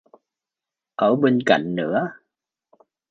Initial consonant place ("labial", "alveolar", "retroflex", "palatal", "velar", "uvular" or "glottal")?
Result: glottal